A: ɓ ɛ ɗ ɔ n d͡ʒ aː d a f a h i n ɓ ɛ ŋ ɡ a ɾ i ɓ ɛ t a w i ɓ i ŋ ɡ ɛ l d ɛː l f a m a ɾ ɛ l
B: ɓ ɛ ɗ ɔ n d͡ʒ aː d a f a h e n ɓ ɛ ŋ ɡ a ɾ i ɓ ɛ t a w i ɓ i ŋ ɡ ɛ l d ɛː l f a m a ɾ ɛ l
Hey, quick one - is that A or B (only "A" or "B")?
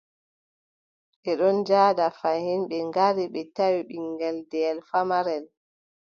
A